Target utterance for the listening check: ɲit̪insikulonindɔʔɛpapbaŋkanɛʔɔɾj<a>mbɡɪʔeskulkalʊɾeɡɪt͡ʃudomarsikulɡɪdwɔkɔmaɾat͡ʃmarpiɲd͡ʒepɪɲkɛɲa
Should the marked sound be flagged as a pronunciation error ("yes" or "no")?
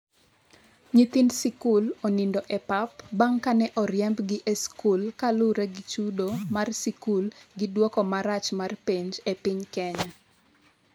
yes